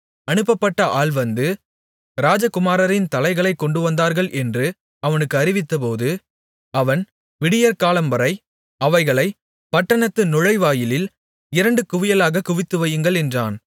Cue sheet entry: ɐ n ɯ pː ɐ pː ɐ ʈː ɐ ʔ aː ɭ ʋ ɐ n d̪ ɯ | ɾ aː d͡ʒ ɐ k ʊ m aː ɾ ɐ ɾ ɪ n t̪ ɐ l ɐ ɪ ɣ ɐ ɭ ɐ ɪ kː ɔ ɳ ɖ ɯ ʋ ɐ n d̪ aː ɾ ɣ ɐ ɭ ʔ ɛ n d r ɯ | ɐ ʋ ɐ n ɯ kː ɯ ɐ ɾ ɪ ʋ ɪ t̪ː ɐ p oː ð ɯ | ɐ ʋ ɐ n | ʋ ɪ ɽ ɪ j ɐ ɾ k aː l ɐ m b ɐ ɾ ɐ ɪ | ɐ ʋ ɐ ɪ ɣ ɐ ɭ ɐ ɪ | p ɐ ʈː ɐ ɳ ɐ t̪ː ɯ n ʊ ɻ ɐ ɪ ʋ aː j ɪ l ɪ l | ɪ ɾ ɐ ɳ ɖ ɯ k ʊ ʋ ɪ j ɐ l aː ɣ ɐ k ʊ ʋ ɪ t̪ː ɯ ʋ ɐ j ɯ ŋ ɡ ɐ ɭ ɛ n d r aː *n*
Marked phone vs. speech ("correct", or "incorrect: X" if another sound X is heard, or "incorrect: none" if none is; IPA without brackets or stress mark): correct